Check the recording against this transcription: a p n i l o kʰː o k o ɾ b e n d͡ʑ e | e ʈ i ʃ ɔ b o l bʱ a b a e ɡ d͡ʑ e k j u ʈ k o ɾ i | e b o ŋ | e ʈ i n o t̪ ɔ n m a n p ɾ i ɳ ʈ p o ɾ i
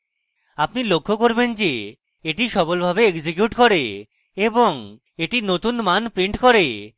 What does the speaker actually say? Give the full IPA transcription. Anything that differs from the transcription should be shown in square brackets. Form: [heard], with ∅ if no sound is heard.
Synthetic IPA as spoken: a p n i l o kʰː o k o ɾ b e n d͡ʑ e | e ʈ i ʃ ɔ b o l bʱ a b [e] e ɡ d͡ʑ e k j u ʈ k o ɾ [e] | e b o ŋ | e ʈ i n o t̪ [u] n m a n p ɾ i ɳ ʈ [k] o ɾ [e]